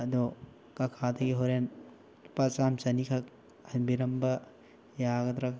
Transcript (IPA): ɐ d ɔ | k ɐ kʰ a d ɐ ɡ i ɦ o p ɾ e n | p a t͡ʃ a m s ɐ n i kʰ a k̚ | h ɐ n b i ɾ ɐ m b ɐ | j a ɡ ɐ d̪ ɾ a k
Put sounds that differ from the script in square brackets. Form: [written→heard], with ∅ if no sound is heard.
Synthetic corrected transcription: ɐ d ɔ | k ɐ kʰ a d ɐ ɡ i ɦ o [p→∅] ɾ e n | p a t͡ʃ a m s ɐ n i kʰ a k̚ | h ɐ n b i ɾ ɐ m b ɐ | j a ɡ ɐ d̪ ɾ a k